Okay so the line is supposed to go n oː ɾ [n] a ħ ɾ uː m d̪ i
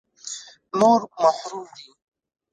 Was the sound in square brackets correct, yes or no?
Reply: no